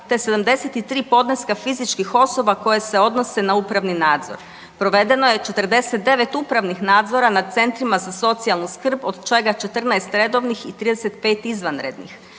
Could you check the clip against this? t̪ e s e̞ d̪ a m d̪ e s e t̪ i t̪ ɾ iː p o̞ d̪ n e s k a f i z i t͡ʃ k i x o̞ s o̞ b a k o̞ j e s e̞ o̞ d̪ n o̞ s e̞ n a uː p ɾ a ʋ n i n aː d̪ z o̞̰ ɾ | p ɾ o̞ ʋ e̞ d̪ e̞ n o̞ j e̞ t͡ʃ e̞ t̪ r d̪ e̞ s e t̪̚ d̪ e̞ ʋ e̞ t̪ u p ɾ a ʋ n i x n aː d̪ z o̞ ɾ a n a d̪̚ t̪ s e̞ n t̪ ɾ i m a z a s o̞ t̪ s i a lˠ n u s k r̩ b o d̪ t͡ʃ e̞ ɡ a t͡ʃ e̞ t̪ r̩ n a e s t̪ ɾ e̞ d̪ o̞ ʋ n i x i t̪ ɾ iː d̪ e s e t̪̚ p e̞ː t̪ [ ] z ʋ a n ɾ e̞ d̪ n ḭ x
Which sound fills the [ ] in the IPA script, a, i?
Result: i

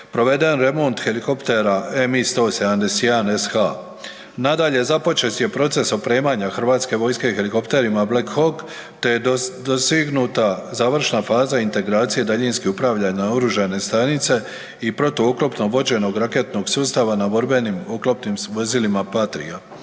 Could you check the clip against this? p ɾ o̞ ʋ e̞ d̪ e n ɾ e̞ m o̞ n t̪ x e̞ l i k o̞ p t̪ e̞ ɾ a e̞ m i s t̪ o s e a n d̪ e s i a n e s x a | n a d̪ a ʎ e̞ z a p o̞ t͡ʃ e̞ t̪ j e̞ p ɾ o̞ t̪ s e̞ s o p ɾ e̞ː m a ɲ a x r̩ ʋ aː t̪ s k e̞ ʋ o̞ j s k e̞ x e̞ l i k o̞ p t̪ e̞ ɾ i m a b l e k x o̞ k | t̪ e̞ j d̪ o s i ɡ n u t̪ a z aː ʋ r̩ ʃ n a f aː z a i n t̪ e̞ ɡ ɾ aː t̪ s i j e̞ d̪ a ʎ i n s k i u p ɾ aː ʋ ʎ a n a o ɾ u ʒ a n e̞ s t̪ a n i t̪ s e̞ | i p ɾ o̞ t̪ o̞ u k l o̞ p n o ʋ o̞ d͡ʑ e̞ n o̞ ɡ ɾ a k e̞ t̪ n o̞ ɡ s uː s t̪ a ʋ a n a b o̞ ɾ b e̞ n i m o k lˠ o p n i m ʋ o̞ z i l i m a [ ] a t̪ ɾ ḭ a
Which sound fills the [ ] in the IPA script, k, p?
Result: p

